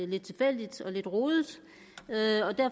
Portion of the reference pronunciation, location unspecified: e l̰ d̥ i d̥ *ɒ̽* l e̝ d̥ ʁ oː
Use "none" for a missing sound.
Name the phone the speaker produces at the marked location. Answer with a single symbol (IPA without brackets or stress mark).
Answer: ɒ̽